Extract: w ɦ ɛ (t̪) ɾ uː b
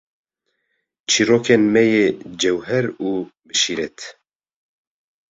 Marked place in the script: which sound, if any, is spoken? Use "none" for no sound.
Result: none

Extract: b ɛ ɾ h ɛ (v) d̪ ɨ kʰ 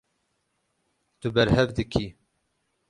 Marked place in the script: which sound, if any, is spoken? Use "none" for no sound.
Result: v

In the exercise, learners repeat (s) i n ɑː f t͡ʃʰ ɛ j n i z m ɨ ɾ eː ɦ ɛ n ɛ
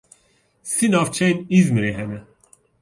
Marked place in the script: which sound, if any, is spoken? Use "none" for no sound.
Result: s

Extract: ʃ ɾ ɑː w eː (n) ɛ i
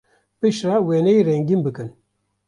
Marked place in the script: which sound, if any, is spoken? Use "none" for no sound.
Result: n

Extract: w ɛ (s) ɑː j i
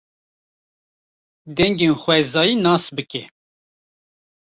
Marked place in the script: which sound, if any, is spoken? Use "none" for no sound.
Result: z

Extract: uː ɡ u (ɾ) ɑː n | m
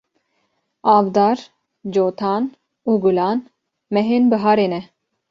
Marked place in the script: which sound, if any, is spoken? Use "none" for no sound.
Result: l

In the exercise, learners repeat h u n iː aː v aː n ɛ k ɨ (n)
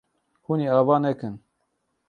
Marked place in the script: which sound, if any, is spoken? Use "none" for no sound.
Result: n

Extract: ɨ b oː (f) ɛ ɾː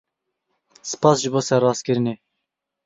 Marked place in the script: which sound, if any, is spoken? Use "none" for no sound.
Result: s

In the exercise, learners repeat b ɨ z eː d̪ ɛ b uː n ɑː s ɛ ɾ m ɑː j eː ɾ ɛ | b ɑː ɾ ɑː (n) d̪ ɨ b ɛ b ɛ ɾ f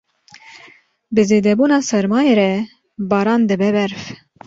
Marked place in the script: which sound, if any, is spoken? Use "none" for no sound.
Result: n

